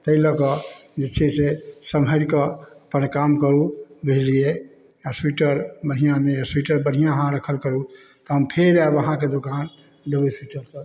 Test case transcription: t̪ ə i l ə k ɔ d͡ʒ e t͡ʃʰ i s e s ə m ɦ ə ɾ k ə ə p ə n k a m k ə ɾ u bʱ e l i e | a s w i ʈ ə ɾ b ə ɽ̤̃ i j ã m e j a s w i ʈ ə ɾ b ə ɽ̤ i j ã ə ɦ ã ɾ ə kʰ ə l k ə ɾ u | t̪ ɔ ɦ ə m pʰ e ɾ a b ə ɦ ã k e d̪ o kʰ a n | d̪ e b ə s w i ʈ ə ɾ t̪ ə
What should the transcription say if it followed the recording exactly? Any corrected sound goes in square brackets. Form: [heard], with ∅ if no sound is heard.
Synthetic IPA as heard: t̪ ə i l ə k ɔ d͡ʒ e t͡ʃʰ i s e s ə m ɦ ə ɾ k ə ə p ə n k a m k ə ɾ u bʱ e l i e | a s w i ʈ ə ɾ b ə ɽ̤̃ i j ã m e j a s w i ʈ ə ɾ b ə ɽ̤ i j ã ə ɦ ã ɾ ə kʰ ə l k ə ɾ u | t̪ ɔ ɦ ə m pʰ e ɾ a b ə ɦ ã k e d̪ o [k] a n | d̪ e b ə s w i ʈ ə ɾ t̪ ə